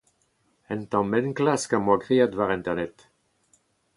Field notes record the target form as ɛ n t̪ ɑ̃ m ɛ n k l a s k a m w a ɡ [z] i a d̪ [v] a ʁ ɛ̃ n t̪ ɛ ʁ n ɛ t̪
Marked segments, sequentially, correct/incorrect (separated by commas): incorrect, correct